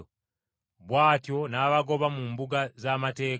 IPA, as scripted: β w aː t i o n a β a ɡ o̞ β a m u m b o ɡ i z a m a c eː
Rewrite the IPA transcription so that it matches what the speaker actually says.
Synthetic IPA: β w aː t j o n a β a ɡ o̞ β a m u m b u ɡ a z a m a t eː